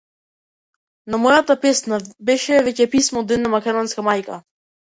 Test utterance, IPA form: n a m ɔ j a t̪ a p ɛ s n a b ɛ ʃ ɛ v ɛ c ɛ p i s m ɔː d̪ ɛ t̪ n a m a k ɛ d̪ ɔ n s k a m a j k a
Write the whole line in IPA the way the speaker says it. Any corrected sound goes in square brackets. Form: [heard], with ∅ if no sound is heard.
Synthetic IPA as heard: n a m ɔ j a t̪ a p ɛ s n a b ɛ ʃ ɛ v ɛ c ɛ p i s m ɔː d̪ ɛ [d̪] n a m a k ɛ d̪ ɔ n s k a m a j k a